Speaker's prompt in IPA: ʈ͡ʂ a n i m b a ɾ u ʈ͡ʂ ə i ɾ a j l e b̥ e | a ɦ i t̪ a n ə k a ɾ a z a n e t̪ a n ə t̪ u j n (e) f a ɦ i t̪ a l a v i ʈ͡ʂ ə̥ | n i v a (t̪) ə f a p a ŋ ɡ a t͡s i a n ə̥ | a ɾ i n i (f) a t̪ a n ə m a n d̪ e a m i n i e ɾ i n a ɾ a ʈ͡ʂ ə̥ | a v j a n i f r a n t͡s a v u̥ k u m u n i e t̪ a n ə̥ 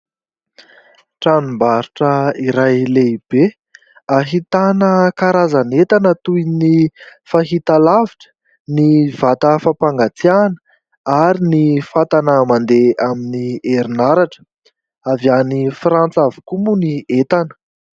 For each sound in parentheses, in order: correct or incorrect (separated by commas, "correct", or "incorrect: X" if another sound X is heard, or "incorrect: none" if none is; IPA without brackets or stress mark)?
incorrect: i, correct, correct